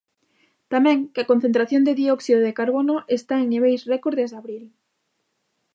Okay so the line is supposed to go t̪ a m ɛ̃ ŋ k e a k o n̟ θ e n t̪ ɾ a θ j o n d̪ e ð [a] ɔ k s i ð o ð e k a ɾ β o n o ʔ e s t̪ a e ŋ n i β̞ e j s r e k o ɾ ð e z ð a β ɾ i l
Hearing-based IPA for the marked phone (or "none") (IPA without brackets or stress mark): i